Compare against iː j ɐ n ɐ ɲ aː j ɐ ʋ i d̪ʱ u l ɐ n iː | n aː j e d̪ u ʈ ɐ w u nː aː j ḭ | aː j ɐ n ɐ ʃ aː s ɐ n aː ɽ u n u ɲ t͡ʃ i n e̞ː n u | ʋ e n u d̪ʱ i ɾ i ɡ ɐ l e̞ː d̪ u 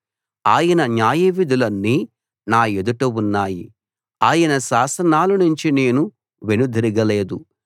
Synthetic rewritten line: aː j ɐ n ɐ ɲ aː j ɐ ʋ i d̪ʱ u l ɐ nː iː | n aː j e d̪ u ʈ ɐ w u nː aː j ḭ | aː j ɐ n ɐ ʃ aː s ɐ n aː l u n u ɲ t͡ʃ i n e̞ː n u | ʋ e n u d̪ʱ i ɾ i ɡ ɐ l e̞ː d̪ u